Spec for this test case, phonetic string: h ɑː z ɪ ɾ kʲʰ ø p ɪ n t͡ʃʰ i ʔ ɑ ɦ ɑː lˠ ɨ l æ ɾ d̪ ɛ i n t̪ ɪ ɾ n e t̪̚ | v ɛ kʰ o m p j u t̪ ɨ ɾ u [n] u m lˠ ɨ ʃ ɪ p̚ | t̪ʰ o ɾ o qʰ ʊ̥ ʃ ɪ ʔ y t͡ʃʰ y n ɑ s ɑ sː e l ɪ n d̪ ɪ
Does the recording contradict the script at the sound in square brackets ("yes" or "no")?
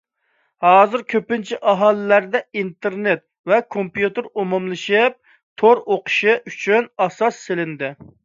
yes